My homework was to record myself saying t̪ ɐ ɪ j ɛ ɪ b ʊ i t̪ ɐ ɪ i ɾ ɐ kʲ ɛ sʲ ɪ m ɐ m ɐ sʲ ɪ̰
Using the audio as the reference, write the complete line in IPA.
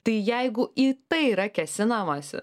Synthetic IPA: t̪ ɐ ɪ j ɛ ɪ ɡ ʊ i t̪ ɐ ɪ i ɾ ɐ kʲ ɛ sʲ ɪ n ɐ m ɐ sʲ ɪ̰